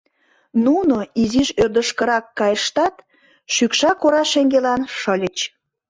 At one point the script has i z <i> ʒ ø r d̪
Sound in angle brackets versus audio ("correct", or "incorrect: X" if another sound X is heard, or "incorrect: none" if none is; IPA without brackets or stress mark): correct